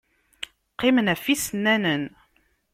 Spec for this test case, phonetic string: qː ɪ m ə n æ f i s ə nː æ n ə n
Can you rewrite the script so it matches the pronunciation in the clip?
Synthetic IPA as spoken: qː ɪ m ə n æ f i s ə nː æ n ə n